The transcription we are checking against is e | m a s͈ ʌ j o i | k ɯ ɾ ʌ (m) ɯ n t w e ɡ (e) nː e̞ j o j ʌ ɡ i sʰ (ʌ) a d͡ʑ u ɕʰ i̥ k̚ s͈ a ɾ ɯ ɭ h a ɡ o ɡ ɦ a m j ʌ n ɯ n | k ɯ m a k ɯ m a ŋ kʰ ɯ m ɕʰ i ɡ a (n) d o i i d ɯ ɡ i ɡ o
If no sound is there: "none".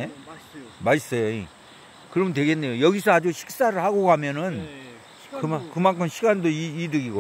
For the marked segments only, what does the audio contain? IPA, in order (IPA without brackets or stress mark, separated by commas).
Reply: m, e, ʌ, n